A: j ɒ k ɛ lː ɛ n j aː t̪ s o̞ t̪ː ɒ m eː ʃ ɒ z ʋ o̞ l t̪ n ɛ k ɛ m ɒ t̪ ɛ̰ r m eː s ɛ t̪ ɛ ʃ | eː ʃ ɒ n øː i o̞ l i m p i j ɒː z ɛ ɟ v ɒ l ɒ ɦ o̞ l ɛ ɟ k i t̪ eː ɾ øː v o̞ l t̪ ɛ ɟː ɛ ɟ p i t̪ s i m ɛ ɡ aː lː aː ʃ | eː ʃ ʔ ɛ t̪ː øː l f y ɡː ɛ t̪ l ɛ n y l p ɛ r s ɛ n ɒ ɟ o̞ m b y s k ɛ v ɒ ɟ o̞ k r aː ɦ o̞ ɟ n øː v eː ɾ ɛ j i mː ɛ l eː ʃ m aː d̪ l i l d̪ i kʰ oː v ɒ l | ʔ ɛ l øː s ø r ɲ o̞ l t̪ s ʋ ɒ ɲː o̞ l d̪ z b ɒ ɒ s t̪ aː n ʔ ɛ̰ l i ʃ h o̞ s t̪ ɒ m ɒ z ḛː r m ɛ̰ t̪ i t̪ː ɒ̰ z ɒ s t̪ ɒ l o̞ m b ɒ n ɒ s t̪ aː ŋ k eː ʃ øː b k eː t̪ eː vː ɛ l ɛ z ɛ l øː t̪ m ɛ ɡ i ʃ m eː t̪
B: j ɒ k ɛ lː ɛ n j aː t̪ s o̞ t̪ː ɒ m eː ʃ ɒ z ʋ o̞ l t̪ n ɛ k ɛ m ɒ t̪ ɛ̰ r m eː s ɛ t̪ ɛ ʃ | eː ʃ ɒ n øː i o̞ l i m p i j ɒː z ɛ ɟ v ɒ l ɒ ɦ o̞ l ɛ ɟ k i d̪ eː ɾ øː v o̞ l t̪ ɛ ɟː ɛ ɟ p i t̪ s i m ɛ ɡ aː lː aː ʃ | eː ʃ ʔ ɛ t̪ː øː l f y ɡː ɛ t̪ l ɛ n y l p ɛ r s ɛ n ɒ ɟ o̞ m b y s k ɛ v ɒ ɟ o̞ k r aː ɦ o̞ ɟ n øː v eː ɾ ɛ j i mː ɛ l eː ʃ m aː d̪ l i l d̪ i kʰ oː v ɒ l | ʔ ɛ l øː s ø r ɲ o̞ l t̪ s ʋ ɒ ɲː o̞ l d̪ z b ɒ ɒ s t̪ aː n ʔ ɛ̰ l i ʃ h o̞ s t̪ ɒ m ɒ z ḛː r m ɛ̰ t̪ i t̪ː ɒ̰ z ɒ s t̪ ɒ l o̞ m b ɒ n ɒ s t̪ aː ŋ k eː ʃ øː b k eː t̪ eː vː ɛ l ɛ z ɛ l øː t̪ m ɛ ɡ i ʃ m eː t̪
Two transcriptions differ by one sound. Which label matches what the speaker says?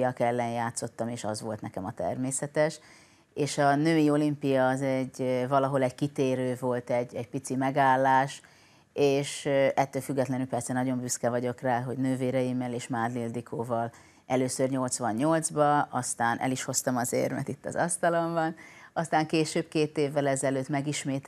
A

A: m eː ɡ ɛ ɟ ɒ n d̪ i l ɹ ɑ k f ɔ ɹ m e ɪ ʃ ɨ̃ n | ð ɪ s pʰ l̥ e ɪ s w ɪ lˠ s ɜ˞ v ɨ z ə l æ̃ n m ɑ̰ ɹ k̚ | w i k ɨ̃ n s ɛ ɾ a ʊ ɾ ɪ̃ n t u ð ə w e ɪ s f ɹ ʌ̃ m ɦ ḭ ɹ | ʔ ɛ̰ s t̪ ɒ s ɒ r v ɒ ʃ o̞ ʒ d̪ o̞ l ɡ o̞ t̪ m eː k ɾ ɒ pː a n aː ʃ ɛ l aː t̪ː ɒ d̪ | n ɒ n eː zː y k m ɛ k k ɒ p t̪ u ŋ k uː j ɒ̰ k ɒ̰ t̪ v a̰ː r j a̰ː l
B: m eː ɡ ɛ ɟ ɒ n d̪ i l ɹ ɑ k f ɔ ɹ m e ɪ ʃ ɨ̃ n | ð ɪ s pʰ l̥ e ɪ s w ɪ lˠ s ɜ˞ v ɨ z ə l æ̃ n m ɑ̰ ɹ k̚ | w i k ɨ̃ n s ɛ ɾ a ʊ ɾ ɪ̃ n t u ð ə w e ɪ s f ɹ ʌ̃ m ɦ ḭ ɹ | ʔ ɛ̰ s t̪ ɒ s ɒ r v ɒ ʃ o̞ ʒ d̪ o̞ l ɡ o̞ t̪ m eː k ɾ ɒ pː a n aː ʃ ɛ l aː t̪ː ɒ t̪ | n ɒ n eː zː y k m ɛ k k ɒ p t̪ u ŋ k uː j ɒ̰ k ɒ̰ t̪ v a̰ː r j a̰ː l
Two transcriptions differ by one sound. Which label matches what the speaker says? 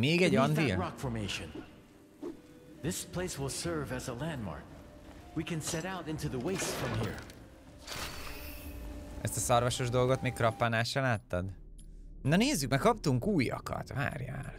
A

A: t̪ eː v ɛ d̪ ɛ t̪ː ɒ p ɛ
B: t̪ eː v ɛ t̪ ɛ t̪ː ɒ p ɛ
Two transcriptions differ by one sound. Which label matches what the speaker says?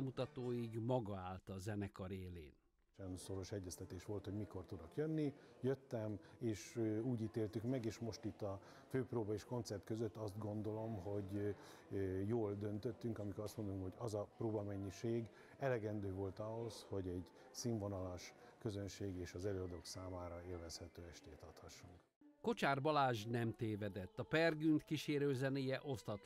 A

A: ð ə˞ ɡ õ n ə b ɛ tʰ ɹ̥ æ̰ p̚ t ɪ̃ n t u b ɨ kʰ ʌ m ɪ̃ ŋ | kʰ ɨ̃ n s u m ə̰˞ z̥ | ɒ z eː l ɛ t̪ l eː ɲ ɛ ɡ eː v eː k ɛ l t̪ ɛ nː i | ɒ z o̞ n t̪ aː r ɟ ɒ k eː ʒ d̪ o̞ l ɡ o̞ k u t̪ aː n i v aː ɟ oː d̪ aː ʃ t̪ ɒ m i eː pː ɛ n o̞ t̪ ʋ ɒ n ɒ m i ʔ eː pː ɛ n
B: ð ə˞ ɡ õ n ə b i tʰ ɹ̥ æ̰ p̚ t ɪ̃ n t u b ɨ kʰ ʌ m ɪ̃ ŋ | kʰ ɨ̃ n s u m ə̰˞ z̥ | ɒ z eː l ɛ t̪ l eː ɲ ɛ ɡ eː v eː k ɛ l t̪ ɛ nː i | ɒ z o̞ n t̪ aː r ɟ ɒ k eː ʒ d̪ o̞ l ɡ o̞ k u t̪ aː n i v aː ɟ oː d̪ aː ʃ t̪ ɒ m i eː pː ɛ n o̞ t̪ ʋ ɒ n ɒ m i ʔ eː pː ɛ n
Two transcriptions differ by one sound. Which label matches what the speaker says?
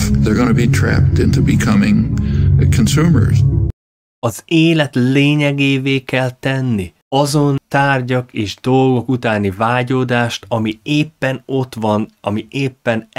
B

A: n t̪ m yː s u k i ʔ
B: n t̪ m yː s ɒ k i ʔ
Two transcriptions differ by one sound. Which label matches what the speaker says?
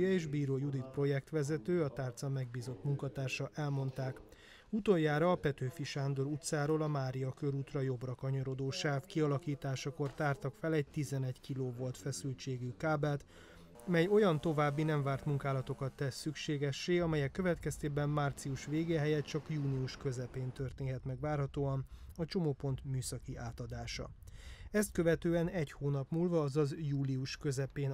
B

